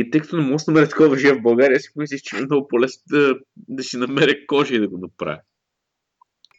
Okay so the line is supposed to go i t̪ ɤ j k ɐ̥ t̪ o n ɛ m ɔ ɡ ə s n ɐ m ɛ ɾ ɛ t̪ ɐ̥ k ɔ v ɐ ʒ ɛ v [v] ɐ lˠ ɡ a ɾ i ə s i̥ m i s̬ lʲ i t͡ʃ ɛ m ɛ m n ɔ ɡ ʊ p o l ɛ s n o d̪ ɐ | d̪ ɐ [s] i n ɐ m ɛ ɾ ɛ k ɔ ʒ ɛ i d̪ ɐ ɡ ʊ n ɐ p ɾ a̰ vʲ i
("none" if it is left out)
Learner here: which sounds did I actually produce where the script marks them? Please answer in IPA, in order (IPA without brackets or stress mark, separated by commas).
b, s